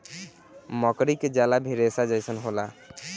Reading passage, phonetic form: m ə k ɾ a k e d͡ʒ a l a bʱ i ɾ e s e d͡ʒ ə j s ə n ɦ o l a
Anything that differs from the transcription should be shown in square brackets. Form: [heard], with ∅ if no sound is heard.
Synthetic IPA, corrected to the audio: m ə k ɾ [i] k e d͡ʒ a l a bʱ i ɾ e s [a] d͡ʒ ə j s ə n ɦ o l a